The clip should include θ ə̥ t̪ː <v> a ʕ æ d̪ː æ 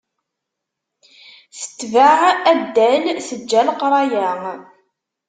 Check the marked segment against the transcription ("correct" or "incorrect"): correct